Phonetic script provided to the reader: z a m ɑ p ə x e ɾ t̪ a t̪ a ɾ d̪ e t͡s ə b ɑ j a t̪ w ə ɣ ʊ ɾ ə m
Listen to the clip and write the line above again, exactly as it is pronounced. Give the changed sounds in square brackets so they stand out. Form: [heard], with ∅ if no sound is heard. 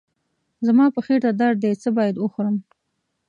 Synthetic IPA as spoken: z a m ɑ p ə x e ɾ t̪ a [d̪] a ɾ d̪ e t͡s ə b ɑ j a [d̪] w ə [x] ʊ ɾ ə m